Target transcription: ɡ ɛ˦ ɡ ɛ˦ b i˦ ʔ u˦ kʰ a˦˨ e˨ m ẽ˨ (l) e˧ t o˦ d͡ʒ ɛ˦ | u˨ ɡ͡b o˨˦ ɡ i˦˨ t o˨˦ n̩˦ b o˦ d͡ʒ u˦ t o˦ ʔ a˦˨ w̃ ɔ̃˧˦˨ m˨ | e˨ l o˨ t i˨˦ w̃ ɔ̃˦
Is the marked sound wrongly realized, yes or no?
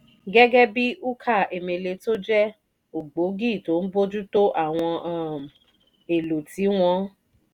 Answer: no